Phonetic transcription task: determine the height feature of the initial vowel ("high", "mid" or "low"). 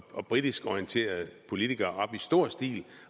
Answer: low